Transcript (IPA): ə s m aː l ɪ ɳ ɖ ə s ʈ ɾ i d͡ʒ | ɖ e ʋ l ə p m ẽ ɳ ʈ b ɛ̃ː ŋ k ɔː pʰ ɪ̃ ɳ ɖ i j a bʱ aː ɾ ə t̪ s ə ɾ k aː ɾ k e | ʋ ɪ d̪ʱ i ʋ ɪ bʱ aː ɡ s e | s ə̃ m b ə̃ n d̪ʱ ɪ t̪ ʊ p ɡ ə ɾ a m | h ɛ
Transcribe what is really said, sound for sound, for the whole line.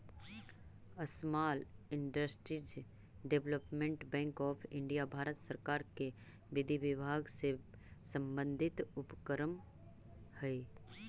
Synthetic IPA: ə s m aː l ɪ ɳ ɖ ə s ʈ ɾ i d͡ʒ | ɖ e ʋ l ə p m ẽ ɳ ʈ b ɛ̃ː ŋ k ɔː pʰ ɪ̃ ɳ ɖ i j a bʱ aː ɾ ə t̪ s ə ɾ k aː ɾ k e | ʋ ɪ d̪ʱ i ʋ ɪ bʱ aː ɡ s e | s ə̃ m b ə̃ n d̪ʱ ɪ t̪ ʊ p k ə ɾ ə m | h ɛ